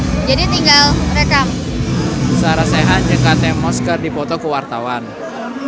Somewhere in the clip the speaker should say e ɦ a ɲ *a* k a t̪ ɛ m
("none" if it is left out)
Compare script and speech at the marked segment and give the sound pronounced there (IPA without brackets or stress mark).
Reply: ə